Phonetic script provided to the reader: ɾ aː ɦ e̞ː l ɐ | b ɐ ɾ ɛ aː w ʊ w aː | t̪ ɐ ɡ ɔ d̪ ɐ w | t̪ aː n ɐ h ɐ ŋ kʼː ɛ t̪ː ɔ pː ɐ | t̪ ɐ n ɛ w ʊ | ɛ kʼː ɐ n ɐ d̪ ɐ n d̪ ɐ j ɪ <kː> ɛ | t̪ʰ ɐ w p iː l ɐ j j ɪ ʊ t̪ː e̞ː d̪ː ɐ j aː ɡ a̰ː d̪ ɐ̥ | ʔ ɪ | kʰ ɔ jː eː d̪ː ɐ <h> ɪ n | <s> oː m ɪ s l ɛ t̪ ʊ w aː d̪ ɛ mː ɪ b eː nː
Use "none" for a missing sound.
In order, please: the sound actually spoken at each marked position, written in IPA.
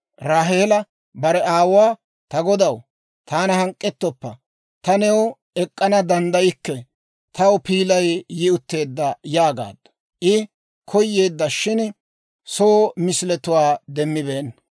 kː, ʃ, s

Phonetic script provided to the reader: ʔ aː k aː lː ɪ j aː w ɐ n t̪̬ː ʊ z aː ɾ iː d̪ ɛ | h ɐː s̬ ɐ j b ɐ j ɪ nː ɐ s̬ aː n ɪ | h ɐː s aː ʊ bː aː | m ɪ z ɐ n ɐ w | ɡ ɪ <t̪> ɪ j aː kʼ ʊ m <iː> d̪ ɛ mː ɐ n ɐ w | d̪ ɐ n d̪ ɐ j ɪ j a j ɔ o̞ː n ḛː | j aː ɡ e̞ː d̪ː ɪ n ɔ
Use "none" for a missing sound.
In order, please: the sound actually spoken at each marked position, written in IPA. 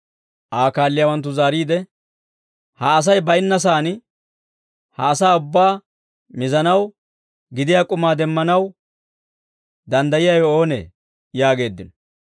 d̪, aː

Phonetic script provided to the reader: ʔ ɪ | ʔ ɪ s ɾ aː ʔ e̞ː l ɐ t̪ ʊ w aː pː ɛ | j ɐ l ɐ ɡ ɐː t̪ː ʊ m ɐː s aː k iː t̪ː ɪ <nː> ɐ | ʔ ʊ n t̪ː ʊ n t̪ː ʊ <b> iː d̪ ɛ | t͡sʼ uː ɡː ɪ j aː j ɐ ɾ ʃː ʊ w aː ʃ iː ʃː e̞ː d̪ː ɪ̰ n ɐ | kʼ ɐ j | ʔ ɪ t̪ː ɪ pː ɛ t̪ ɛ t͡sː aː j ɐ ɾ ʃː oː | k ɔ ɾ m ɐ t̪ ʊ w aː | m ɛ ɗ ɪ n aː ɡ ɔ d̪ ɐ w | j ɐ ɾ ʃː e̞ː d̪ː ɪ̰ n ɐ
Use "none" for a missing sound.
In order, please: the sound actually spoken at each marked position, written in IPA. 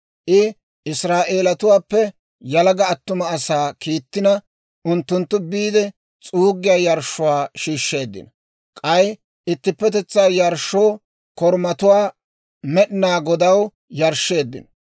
n, b

